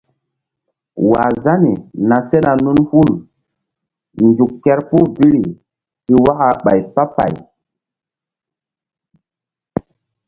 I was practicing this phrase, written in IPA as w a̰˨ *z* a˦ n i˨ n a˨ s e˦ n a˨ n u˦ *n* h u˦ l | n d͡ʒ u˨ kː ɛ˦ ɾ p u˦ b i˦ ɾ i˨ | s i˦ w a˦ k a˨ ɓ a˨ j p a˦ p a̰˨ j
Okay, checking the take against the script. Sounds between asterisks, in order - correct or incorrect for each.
correct, correct

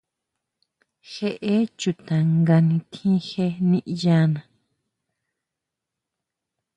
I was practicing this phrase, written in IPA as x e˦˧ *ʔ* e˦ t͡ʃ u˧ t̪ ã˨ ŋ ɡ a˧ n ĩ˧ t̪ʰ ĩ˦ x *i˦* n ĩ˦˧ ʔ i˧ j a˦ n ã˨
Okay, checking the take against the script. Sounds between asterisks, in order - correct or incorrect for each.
correct, incorrect

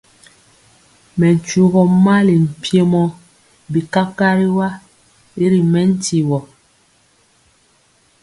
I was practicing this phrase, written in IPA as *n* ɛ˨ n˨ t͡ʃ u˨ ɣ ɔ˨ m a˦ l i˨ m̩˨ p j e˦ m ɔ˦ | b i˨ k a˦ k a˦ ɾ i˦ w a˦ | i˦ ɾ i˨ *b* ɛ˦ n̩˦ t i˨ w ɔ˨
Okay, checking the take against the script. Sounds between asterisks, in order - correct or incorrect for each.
incorrect, incorrect

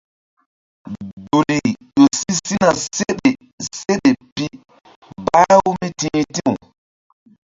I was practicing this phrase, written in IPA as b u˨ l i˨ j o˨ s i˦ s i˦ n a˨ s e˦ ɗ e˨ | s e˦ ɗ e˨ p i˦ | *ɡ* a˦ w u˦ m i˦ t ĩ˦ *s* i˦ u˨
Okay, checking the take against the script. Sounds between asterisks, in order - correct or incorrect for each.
incorrect, incorrect

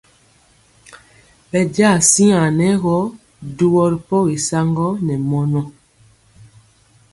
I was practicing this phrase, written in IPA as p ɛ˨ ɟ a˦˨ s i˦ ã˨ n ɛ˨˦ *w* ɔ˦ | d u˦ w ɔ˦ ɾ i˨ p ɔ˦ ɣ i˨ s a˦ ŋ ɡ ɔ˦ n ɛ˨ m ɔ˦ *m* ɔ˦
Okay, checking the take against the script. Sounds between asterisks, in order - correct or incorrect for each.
incorrect, incorrect

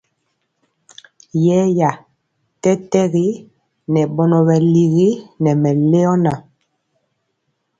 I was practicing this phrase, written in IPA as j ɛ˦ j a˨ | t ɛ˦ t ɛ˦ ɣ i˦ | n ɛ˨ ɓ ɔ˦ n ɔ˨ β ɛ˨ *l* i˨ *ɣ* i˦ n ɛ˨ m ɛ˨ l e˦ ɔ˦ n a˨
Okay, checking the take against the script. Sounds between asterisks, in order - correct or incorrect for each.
correct, correct

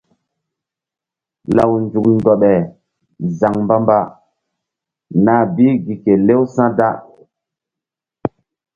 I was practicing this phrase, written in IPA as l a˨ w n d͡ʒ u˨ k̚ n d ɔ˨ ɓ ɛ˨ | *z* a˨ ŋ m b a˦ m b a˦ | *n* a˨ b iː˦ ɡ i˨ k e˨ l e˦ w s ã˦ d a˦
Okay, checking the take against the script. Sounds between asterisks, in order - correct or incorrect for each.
correct, correct

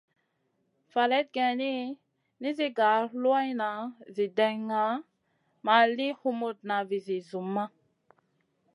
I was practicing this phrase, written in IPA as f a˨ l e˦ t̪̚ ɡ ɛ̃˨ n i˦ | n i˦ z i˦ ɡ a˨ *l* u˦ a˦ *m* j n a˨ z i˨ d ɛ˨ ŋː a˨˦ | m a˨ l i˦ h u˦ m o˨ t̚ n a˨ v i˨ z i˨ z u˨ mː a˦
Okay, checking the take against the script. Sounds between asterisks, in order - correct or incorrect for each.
correct, incorrect

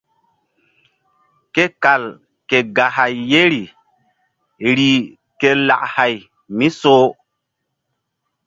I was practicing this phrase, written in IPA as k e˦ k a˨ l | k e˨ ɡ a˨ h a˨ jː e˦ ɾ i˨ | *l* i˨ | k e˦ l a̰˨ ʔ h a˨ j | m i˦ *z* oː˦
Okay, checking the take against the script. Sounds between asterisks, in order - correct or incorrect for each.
incorrect, incorrect

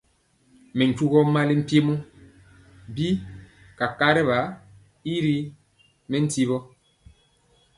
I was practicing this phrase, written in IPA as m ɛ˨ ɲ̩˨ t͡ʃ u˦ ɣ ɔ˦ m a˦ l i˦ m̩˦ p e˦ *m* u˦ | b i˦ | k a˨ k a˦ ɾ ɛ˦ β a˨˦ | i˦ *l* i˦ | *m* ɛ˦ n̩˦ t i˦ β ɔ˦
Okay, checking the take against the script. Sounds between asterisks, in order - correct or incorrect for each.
correct, incorrect, correct

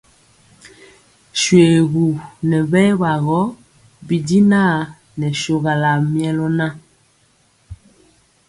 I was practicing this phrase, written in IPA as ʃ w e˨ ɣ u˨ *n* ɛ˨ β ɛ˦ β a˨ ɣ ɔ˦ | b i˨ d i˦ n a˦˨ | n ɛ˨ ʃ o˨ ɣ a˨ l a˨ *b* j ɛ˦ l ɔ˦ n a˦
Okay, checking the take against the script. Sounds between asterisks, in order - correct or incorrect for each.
correct, incorrect

